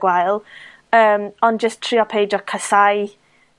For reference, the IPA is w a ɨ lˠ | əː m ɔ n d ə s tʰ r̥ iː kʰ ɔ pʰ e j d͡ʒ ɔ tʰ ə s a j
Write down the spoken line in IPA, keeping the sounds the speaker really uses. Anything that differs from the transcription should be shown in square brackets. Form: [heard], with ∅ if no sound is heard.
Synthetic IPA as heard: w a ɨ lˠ | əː m ɔ n [d͡ʒ] ə s tʰ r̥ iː [∅] ɔ pʰ e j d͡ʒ ɔ [kʰ] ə s a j